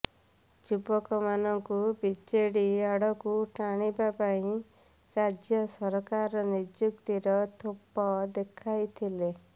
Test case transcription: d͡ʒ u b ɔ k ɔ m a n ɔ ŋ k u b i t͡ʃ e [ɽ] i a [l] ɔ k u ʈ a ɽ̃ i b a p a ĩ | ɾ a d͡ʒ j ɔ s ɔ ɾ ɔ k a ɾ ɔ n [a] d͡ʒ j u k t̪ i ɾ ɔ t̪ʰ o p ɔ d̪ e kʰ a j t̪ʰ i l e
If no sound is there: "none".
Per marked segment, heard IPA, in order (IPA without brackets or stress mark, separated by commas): ɽ, ɽ, i